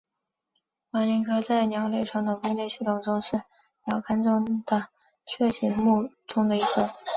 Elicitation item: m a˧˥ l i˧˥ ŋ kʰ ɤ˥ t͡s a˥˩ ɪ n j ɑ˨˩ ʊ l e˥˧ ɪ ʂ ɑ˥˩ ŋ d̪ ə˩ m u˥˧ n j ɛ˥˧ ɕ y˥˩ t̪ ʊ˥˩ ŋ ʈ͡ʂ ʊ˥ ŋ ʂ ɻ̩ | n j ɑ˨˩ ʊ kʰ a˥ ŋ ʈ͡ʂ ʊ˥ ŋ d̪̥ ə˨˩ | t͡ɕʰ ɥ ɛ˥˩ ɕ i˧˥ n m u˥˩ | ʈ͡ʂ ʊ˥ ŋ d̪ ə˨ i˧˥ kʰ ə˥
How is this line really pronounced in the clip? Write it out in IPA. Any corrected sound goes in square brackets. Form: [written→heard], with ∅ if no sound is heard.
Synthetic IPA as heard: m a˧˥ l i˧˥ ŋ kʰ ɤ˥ t͡s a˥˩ ɪ n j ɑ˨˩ ʊ l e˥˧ ɪ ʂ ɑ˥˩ ŋ d̪ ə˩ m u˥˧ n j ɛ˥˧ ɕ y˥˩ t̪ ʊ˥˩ ŋ ʈ͡ʂ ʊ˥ ŋ ʂ ɻ̩ | n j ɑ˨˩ ʊ kʰ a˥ [ŋ→n] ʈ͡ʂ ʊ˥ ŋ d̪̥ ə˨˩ | t͡ɕʰ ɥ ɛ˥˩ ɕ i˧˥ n m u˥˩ | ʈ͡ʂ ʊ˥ ŋ d̪ ə˨ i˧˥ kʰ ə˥